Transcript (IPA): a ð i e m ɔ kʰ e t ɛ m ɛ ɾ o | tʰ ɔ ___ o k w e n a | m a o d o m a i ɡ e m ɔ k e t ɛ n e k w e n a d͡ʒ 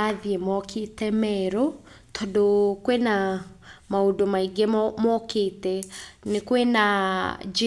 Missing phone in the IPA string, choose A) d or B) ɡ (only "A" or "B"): A